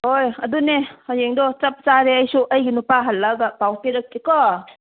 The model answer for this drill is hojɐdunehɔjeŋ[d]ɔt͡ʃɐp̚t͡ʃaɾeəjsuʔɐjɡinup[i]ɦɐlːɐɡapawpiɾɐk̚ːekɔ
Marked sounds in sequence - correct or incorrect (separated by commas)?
correct, incorrect